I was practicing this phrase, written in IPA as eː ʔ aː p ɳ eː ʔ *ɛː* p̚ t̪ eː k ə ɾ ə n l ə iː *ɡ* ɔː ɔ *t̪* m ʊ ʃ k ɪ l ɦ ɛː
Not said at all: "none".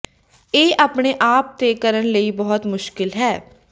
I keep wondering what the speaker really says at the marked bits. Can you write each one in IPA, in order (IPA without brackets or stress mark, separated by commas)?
aː, b, t̪